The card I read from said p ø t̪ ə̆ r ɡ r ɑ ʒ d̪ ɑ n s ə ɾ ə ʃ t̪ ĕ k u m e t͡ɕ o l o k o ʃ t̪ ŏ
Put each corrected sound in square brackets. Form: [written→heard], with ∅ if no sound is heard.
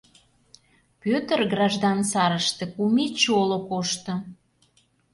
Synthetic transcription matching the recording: p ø t̪ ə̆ r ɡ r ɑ ʒ d̪ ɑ n s [ə→ɑ] ɾ ə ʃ t̪ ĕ k u m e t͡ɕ o l o k o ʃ t̪ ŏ